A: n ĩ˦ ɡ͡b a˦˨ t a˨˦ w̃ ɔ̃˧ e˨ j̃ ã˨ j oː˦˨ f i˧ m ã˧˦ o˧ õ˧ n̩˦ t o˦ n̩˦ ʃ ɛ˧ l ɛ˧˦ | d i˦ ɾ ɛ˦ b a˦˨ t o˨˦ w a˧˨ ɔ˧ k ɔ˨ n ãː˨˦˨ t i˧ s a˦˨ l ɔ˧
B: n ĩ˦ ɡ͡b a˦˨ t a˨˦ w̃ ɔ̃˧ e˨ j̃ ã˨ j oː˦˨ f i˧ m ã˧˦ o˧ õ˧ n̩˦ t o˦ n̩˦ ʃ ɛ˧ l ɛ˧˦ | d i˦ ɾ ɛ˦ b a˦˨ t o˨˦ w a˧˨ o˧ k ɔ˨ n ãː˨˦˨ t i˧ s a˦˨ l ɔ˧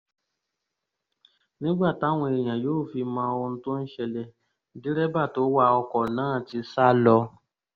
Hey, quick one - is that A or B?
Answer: A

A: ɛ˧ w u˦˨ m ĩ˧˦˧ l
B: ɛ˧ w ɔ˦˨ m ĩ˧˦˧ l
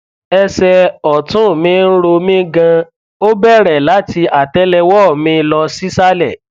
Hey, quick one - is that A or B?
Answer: B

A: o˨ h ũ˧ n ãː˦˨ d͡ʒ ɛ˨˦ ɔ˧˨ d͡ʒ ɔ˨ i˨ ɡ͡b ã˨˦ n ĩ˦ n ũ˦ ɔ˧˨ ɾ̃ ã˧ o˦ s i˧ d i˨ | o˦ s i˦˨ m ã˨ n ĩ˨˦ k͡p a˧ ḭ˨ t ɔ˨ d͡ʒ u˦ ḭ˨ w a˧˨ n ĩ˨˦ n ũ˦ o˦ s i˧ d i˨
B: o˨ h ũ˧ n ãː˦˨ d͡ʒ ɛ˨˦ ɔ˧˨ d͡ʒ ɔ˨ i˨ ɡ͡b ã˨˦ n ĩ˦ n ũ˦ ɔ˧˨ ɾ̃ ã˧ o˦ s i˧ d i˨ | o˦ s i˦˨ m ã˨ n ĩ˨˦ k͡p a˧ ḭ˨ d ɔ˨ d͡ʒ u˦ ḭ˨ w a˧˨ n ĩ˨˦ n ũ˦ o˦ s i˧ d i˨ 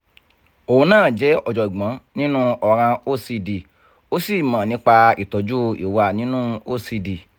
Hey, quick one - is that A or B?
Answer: A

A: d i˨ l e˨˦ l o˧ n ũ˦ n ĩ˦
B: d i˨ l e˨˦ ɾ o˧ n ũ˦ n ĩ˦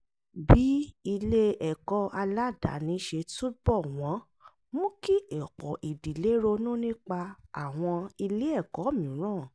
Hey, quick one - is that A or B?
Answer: B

